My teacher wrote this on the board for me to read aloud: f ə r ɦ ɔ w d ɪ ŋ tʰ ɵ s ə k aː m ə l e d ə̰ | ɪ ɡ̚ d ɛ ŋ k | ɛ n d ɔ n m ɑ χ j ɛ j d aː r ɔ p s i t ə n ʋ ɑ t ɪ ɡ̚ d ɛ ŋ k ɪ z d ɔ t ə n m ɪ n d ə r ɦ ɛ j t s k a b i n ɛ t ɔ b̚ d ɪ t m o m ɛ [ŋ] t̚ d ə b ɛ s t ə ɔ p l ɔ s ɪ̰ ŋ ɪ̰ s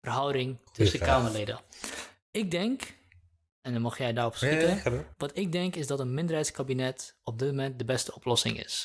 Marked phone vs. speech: incorrect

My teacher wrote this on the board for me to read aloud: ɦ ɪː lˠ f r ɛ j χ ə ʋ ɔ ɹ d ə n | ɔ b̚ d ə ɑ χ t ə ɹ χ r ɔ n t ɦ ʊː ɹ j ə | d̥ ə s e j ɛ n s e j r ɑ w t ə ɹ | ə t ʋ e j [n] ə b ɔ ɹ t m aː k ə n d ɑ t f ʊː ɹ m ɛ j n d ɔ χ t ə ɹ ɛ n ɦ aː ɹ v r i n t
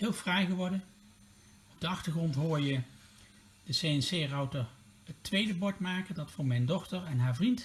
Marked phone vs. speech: incorrect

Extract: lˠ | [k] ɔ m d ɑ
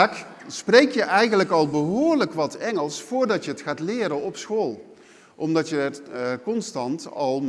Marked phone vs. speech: incorrect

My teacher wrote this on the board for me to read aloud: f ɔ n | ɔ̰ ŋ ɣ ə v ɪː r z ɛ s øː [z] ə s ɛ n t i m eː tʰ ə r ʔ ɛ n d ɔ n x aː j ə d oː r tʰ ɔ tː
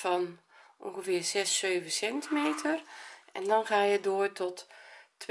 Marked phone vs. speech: incorrect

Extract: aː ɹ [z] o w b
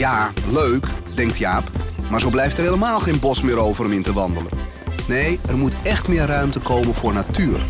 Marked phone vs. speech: correct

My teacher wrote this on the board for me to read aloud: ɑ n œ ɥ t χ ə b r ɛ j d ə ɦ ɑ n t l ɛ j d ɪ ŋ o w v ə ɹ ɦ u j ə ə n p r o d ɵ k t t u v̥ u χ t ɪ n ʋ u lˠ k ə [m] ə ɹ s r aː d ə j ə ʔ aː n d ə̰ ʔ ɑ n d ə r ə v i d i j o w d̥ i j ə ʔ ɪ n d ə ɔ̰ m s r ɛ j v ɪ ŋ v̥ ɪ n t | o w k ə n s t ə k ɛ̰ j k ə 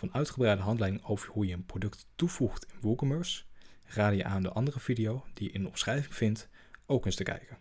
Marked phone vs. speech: correct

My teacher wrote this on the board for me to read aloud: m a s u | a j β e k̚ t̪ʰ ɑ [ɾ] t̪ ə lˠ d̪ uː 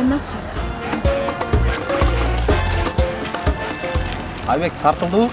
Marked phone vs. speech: correct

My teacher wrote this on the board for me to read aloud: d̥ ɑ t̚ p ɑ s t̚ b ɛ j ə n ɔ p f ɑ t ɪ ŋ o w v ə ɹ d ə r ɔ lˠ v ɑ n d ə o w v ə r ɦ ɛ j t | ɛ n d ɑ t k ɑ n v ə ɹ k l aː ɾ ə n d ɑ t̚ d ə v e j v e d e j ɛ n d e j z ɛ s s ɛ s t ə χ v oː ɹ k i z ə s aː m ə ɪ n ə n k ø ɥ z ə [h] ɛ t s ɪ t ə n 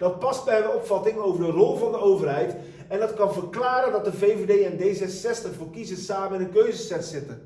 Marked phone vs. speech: incorrect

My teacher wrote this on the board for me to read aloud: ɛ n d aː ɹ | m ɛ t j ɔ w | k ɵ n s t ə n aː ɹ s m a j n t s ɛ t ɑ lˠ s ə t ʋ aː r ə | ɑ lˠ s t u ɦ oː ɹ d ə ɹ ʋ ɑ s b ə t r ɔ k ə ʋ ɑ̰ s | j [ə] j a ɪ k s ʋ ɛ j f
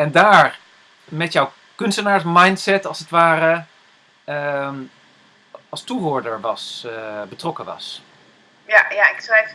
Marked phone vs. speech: incorrect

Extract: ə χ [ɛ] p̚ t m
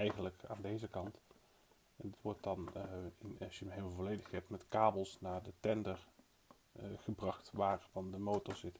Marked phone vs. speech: correct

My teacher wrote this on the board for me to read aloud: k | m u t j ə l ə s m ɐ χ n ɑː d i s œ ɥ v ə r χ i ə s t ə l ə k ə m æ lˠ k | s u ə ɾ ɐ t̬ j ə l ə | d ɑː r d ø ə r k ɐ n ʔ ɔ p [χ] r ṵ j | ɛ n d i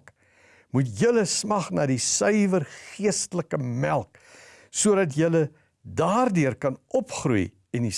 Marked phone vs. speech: correct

